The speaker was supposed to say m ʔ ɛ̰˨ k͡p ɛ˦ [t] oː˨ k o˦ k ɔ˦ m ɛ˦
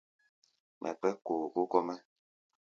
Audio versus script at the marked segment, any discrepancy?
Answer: yes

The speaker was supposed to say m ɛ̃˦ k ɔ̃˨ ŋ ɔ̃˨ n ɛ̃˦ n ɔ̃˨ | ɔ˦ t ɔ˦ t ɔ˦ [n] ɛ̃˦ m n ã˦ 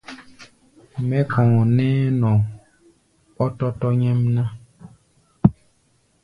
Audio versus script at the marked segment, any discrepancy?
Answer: yes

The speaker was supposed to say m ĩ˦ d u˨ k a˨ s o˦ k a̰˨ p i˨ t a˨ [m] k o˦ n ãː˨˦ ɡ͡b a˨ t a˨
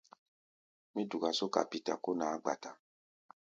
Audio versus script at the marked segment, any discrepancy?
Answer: yes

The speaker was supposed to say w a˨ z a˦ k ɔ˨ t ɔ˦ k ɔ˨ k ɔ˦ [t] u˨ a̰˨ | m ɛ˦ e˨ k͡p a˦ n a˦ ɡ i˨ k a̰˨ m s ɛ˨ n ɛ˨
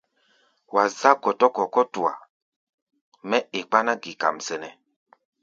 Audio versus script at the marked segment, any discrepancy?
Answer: no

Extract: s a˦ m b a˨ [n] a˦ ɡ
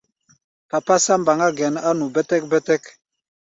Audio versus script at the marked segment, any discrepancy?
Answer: yes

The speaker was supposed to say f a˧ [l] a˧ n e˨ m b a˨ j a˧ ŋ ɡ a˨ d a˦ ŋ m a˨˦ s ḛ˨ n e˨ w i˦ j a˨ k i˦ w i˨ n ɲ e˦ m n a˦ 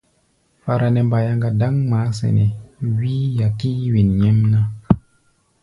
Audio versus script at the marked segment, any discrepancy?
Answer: yes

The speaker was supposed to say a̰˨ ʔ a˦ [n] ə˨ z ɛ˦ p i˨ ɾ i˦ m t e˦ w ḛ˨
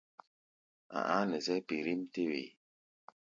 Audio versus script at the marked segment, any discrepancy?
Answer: no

